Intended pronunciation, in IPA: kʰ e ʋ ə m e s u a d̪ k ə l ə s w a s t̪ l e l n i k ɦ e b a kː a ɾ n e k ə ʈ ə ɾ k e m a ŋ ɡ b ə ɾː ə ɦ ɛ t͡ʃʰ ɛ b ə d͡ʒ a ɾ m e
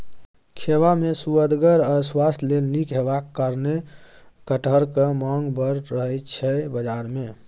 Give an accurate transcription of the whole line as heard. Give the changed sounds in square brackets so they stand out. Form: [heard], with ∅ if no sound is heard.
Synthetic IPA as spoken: kʰ e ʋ [a] m e s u [ə] d̪ [ɡ] ə [ɾ] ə s w a s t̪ l e l n i k ɦ e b a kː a ɾ n e k ə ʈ ə ɾ k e m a ŋ ɡ b ə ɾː ə ɦ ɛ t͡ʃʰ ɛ b ə d͡ʒ a ɾ m e